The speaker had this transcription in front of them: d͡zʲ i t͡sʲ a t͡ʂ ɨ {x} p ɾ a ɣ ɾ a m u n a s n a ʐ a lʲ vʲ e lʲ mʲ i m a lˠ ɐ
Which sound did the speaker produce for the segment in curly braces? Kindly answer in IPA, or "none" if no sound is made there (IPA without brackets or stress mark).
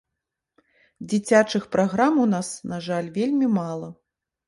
x